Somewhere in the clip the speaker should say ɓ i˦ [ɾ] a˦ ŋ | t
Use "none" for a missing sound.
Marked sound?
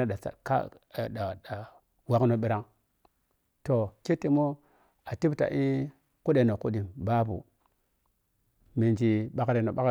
ɾ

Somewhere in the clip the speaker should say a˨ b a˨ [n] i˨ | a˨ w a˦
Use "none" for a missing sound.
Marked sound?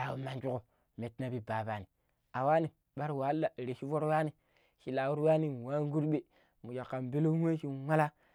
n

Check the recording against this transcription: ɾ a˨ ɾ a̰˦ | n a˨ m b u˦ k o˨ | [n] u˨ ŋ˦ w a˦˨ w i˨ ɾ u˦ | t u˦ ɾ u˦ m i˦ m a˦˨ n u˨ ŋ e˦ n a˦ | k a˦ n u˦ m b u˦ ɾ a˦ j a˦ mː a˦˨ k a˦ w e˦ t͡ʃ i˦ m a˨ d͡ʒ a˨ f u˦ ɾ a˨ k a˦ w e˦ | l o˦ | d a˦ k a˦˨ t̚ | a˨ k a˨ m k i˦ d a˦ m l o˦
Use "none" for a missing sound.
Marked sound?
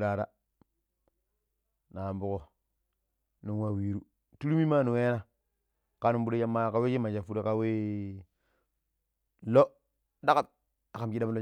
n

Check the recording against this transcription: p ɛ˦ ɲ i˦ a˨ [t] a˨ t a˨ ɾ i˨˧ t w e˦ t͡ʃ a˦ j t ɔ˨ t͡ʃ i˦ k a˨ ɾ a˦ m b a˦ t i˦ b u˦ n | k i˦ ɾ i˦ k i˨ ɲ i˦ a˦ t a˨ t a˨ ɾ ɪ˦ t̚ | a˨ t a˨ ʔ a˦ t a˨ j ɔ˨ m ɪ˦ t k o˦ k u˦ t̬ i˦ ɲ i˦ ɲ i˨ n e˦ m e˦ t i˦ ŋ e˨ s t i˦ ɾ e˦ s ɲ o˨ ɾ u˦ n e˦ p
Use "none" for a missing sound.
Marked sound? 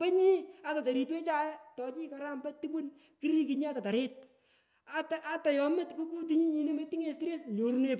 t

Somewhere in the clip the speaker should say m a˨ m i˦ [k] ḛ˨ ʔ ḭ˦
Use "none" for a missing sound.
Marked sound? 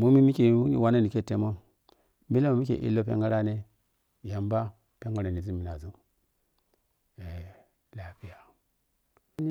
k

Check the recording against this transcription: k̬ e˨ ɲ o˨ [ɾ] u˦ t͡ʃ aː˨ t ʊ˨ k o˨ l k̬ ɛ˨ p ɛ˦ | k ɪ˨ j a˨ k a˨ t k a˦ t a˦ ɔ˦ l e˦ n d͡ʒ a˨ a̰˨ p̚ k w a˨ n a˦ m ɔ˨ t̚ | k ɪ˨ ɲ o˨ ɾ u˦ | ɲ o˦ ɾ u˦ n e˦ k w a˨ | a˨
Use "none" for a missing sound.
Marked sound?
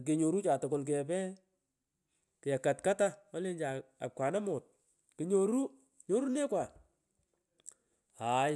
ɾ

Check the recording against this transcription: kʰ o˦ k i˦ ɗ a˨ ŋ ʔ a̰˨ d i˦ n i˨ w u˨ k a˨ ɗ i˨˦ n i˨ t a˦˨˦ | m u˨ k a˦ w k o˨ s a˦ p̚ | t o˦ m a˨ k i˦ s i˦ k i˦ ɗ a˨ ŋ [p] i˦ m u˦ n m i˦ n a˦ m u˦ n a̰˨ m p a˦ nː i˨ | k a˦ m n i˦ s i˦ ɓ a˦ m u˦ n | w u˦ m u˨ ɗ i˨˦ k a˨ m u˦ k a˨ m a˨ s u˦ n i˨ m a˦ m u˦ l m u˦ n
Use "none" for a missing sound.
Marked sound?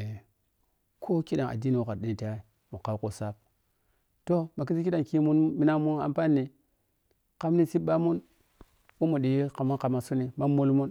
k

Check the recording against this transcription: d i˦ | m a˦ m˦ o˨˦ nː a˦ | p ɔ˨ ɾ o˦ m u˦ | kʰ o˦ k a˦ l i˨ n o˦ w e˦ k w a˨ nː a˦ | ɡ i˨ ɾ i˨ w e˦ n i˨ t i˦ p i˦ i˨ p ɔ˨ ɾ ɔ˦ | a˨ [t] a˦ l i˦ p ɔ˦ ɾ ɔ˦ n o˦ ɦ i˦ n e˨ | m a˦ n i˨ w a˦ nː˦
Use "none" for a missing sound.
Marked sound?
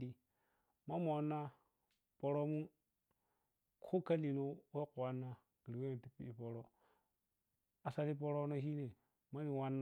s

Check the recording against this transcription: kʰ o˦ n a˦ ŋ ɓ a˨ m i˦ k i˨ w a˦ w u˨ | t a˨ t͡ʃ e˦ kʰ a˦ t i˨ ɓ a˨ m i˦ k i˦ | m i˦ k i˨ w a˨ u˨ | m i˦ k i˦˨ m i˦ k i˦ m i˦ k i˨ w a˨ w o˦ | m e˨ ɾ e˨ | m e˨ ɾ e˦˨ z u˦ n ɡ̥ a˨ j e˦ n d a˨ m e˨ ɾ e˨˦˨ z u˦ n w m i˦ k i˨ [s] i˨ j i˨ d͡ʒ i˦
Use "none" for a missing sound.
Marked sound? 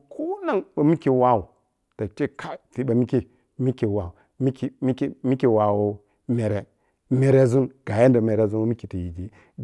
t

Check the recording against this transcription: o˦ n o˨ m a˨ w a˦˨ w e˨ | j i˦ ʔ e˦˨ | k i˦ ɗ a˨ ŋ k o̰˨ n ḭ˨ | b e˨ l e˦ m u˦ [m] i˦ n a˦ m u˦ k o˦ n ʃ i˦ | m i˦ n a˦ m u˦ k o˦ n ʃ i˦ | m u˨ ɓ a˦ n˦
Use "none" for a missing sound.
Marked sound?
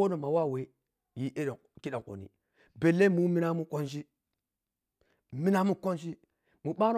m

